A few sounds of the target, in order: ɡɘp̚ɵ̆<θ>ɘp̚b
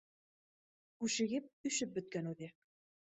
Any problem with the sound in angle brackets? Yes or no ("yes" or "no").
yes